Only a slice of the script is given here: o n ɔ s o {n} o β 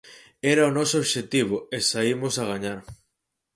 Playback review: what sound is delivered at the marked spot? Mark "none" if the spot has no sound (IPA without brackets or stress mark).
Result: none